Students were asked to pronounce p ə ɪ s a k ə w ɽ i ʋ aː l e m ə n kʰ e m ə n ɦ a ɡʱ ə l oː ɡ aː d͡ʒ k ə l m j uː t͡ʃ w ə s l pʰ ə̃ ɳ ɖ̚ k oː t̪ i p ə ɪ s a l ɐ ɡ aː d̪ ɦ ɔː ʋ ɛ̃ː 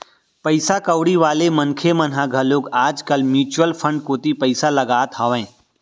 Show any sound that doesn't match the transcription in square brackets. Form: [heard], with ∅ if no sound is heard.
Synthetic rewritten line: p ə ɪ s a k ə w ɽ i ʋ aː l e m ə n kʰ e m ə n ɦ a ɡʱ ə l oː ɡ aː d͡ʒ k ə l m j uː t͡ʃ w ə [∅] l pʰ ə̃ ɳ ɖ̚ k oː t̪ i p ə ɪ s a l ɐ ɡ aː [t̪] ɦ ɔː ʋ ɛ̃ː